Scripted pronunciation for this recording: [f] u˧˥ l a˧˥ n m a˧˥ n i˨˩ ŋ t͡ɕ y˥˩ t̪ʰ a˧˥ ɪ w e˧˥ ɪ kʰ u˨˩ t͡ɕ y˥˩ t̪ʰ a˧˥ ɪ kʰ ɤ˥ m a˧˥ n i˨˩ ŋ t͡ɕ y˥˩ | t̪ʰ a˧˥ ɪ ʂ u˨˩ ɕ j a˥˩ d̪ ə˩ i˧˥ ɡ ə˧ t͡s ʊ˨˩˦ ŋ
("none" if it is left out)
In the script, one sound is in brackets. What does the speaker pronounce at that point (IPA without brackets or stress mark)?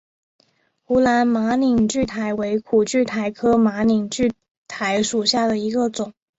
x